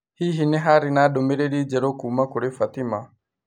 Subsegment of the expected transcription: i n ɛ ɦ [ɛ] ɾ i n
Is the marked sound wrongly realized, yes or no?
yes